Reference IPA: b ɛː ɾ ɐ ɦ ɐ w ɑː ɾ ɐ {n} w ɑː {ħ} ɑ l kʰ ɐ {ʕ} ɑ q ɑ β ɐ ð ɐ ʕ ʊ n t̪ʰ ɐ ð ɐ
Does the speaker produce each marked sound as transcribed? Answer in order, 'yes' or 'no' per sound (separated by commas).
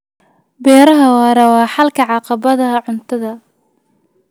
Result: no, yes, yes